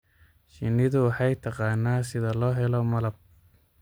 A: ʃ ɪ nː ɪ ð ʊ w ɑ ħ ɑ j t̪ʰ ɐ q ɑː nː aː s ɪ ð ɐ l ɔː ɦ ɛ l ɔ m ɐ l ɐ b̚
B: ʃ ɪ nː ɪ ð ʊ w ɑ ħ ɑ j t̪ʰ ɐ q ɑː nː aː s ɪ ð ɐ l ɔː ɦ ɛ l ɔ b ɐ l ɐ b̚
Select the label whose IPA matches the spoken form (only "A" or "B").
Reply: A